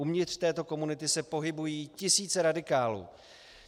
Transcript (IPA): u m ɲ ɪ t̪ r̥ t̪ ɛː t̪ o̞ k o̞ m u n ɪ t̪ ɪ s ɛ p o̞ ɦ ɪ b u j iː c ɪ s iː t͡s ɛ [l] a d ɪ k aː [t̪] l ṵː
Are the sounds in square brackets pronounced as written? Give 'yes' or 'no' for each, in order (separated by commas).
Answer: no, no